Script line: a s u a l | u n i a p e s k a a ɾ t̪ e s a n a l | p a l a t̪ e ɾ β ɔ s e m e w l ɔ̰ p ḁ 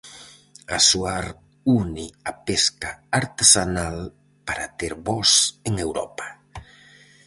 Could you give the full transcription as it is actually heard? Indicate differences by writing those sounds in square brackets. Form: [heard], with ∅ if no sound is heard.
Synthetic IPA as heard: a s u a [ɾ] | u n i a p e s k a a ɾ t̪ e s a n a l | p a [ɾ] a t̪ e ɾ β ɔ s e [ŋ] e w [ɾ] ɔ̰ p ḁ